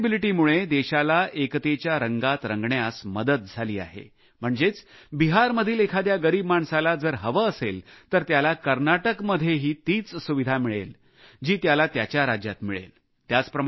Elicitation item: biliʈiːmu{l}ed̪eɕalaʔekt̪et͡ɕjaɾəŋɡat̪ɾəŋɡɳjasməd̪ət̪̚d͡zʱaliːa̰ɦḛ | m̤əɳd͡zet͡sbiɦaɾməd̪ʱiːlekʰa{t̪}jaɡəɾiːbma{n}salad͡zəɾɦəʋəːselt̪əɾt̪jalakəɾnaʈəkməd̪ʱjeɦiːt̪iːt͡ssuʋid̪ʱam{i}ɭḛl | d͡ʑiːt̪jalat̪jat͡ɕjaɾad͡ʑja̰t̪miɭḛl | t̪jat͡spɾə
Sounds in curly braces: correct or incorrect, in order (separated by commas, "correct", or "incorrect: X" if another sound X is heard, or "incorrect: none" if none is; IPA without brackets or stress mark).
incorrect: ɭ, incorrect: d̪, incorrect: ɳ, correct